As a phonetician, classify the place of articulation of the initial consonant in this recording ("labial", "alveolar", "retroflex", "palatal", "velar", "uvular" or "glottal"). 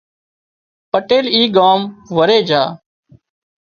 labial